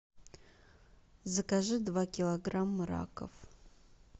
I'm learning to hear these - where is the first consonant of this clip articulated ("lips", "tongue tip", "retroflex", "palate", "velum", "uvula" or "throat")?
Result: tongue tip